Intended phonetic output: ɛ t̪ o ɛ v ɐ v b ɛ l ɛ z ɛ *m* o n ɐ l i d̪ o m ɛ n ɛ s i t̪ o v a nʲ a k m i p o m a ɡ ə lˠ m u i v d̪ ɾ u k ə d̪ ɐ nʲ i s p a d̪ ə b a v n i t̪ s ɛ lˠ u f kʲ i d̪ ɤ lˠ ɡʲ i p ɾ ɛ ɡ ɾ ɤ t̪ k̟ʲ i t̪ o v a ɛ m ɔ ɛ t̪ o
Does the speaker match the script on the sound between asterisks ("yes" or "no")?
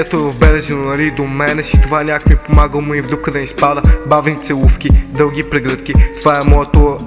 no